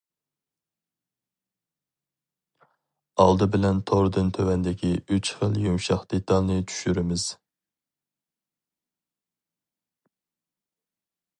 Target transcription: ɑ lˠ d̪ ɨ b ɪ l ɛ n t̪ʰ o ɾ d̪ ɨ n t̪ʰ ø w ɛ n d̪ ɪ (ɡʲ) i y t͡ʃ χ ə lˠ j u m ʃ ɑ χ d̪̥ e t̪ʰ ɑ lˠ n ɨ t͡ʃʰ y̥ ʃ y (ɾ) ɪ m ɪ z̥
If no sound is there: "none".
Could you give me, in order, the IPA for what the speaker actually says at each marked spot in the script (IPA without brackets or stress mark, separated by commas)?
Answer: kʲ, ɾ